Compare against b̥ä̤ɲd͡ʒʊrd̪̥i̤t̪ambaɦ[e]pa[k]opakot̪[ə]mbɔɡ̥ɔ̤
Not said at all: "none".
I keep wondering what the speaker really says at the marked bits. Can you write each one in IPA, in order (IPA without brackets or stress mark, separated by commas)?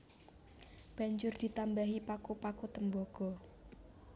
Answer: i, k, ə